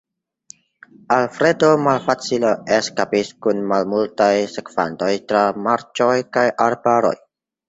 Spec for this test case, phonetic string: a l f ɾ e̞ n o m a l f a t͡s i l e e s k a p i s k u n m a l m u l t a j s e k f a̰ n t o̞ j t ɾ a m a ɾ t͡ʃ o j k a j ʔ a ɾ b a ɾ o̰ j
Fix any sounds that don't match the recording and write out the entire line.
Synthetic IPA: a l f ɾ e̞ d o m a l f a t͡s i l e e s k a p i s k u n m a l m u l t a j s e k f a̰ n t o̞ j t ɾ a m a ɾ t͡ʃ o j k a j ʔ a ɾ b a ɾ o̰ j